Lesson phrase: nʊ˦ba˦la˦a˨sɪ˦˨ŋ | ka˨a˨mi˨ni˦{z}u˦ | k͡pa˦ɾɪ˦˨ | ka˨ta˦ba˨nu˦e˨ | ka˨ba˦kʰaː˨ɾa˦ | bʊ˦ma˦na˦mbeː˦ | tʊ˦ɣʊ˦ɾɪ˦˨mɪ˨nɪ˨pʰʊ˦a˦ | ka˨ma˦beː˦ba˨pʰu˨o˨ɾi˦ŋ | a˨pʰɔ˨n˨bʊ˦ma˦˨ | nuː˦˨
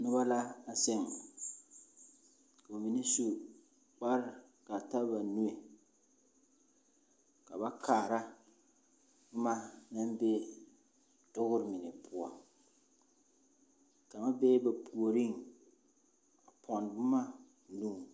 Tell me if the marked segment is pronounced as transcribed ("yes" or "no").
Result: no